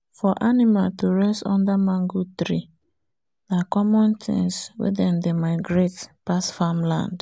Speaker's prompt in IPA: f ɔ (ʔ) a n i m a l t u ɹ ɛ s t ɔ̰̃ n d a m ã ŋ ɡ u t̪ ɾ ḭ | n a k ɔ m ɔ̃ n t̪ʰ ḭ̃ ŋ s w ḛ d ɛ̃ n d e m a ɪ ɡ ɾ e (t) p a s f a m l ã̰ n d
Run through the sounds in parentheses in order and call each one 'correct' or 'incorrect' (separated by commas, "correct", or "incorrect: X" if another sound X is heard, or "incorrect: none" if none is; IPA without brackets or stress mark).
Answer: correct, correct